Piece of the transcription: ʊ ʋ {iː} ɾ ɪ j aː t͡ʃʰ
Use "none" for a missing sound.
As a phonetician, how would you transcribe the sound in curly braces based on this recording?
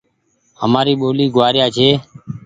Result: aː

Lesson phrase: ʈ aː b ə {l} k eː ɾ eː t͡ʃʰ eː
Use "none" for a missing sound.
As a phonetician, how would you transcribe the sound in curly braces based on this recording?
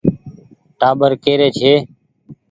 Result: ɾ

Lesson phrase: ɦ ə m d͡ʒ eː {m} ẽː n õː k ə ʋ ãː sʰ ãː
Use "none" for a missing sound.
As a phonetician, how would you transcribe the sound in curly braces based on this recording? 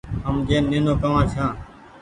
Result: n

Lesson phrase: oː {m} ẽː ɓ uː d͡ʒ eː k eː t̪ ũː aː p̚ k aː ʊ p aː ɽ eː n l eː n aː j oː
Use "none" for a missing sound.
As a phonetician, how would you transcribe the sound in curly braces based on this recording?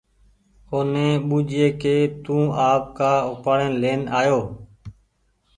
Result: n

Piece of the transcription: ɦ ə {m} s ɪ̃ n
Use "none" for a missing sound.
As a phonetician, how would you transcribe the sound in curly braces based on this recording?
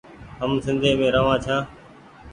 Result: m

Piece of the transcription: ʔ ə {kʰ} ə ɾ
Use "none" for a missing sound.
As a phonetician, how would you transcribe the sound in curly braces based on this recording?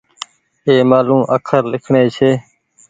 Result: kʰ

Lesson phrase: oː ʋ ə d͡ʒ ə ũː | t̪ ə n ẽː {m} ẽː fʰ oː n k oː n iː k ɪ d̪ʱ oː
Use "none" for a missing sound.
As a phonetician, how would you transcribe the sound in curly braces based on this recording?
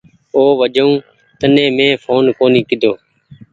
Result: m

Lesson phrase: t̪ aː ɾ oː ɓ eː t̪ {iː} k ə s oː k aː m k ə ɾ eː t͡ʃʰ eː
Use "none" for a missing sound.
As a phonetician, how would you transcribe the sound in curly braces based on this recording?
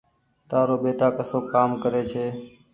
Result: aː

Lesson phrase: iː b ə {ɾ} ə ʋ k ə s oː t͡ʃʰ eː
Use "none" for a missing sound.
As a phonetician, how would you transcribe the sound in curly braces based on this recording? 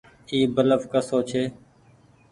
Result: l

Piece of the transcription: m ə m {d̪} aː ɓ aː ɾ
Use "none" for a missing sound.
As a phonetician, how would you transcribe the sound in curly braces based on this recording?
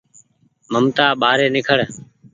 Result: t̪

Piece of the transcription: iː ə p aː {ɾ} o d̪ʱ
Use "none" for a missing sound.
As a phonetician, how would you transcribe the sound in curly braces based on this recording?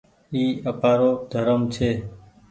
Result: ɾ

